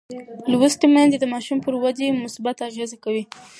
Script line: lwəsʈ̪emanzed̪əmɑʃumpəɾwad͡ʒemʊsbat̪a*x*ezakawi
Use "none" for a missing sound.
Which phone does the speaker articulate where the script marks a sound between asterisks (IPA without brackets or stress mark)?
ɣ